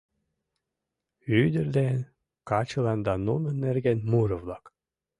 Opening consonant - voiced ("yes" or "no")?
yes